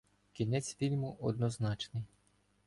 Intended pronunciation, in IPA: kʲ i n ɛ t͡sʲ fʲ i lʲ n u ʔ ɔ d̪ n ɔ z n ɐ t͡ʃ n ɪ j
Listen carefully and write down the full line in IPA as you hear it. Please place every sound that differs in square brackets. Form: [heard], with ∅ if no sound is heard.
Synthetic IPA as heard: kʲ i n ɛ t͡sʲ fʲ i lʲ [m] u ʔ ɔ d̪ n ɔ z n [ɑ] t͡ʃ n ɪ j